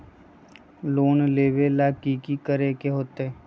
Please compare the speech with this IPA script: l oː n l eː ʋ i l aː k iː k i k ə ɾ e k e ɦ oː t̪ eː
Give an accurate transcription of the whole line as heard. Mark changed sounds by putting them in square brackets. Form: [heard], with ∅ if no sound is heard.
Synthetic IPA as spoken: l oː n l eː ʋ [e] l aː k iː k i k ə ɾ e k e ɦ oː t̪ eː